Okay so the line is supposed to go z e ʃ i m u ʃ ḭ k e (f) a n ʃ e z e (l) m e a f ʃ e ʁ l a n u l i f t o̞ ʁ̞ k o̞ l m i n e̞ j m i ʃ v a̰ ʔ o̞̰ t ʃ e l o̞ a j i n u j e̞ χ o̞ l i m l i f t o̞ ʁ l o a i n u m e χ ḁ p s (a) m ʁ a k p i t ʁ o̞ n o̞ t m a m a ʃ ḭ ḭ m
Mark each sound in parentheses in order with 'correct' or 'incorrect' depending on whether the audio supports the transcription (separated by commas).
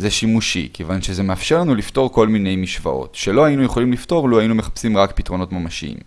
incorrect, incorrect, incorrect